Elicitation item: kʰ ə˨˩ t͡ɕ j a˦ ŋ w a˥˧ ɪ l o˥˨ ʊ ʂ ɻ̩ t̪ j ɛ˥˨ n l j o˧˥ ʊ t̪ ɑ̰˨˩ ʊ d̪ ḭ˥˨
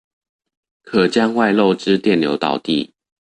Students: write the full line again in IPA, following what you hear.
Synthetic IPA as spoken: kʰ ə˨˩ t͡ɕ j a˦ ŋ w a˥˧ ɪ l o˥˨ ʊ ʈ͡ʂ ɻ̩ t̪ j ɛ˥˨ n l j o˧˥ ʊ t̪ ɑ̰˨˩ ʊ t̪ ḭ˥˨